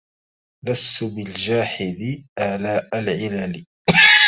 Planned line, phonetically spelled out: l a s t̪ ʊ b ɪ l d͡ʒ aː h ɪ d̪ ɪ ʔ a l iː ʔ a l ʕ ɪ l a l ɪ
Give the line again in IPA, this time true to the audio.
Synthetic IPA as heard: l a s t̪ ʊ b ɪ l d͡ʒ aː ħ ɪ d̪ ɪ ʔ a l aː ʔ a l ʕ ɪ l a l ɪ

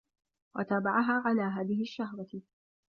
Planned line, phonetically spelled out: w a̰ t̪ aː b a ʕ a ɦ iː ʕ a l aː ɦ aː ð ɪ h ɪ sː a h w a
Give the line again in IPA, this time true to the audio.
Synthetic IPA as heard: w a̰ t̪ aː b a ʕ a ɦ aː ʕ a l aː ɦ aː ð ɪ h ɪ ʃː a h w a

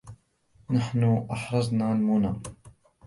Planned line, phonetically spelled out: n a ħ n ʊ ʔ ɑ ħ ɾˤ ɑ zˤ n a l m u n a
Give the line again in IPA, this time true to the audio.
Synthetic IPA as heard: n a ħ n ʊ ʔ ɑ ħ ɾˤ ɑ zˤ n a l m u n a

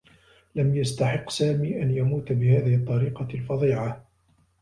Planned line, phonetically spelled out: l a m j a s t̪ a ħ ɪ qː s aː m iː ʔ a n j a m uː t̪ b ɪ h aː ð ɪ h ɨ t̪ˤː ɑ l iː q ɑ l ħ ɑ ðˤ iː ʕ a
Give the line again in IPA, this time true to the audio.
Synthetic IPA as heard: l a m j a s t̪ a ħ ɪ qː s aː m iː ʔ a n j a m uː t̪ b ɪ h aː ð ɪ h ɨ t̪ˤː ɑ ɾ iː q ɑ l f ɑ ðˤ iː ʕ a

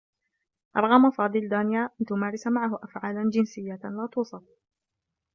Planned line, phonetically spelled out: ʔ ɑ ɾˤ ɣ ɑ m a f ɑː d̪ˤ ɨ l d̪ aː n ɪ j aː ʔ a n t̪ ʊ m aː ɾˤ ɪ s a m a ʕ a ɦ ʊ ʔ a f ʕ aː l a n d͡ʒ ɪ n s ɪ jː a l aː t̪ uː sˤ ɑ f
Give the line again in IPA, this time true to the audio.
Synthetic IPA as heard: ʔ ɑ ɾˤ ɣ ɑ m a f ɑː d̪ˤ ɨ l d̪ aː n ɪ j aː ʔ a n t̪ ʊ m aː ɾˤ ɪ s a m a ʕ a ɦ ʊ ʔ a f ʕ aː l a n d͡ʒ ɪ n s ɪ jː a l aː t̪ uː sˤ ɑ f

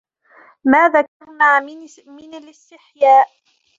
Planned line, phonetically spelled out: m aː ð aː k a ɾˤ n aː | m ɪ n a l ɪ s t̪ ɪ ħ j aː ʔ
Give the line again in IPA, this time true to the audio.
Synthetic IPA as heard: m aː ð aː k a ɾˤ n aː | m ɪ n a l ɪ s t̪ ɪ ħ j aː ʔ

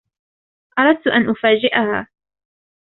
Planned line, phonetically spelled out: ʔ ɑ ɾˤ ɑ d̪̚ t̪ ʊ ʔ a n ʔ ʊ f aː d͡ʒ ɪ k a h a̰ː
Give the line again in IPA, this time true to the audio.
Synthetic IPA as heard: ʔ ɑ ɾˤ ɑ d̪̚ t̪ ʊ ʔ a n ʔ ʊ f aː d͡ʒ ɪ ʔ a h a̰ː

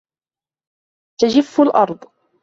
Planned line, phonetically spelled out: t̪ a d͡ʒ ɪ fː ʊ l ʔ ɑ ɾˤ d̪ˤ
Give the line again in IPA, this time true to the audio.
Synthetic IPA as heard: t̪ a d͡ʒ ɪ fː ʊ l ʔ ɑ ɾˤ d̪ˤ

